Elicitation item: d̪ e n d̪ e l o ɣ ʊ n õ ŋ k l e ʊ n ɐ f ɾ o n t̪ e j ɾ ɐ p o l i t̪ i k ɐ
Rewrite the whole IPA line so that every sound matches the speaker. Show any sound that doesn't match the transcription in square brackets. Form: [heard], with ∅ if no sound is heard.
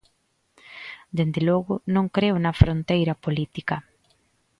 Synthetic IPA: d̪ e n d̪ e l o ɣ ʊ n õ ŋ k [ɾ] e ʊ n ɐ f ɾ o n t̪ e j ɾ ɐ p o l i t̪ i k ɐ